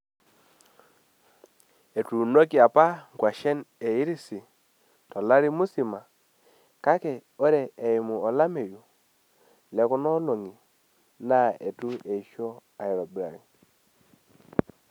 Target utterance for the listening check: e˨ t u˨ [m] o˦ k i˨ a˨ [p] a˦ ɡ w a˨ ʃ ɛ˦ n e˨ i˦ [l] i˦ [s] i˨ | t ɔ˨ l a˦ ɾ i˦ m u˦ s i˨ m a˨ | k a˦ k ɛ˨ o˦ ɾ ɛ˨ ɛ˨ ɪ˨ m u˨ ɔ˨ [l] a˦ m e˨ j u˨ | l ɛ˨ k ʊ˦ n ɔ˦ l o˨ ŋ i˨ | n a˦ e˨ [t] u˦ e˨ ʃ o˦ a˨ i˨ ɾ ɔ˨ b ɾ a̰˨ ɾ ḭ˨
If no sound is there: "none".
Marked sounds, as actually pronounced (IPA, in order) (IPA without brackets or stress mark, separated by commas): n, p, ɾ, s, l, t